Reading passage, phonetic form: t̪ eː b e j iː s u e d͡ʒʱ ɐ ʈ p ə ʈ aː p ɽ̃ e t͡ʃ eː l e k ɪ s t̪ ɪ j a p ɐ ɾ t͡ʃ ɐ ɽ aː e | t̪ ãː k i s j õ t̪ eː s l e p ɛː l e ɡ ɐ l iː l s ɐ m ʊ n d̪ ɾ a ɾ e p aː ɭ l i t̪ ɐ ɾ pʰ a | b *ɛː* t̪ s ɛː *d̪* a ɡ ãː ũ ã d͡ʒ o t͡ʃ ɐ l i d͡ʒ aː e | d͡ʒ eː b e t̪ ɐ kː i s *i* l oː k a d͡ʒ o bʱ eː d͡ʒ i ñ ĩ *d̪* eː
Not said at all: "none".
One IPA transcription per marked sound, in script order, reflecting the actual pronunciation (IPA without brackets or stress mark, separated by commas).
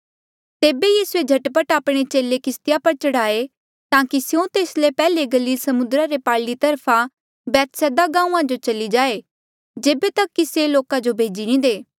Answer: ɛː, d̪, e, d̪